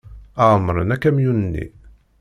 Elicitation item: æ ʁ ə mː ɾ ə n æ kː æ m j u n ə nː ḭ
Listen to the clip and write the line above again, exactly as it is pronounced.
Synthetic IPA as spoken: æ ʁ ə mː ɾ ə n æ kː æ m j u n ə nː ḭ